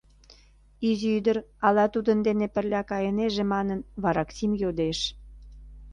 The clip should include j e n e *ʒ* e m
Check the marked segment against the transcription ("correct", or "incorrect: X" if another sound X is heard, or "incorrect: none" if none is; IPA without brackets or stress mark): correct